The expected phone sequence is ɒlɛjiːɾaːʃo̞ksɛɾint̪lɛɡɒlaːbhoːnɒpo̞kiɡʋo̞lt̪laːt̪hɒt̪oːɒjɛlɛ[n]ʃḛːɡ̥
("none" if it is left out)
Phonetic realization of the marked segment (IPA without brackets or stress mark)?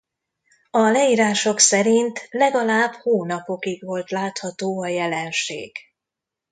n